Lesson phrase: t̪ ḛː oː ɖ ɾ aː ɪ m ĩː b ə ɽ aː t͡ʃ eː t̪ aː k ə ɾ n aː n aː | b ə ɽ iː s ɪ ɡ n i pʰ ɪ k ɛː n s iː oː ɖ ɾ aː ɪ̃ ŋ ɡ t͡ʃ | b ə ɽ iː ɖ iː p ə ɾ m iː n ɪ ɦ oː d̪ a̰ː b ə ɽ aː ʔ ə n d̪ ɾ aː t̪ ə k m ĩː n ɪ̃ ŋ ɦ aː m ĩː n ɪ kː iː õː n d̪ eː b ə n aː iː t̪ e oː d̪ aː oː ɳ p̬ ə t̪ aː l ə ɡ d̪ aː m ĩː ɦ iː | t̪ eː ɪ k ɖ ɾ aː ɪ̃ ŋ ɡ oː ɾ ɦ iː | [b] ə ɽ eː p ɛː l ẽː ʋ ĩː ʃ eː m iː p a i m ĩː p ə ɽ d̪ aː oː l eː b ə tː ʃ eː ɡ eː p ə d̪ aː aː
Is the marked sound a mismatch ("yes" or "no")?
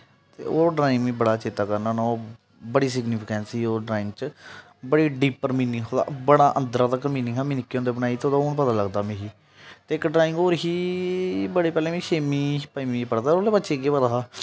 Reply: no